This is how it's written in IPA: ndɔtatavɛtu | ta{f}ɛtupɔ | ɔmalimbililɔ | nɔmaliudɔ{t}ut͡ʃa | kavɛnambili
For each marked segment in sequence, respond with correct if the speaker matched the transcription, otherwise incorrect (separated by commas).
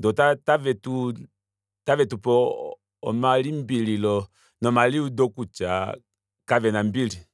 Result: incorrect, incorrect